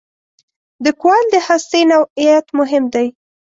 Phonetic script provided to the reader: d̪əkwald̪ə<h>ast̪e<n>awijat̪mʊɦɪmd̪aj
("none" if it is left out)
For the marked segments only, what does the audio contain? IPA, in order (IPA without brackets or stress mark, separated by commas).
h, n